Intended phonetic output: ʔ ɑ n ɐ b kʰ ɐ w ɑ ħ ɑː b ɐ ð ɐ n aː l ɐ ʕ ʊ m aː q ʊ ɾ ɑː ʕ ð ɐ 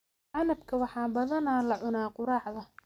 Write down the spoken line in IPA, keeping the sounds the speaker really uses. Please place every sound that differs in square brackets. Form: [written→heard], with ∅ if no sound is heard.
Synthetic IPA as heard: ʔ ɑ n ɐ b kʰ ɐ w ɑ ħ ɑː b ɐ ð ɐ n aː l ɐ ʕ ʊ [m→n] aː q ʊ ɾ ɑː ʕ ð ɐ